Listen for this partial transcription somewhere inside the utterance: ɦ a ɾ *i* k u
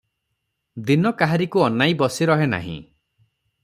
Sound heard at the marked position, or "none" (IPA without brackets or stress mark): i